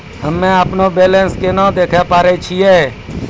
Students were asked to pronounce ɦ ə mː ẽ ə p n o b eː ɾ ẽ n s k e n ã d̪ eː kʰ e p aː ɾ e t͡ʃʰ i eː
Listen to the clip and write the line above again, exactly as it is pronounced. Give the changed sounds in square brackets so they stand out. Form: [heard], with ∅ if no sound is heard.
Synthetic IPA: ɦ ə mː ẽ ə p n o b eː [l] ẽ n s k e n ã d̪ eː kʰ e p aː ɾ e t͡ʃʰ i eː